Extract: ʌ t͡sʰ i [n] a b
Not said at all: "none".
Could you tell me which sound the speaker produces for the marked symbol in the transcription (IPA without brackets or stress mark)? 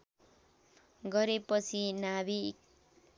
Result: n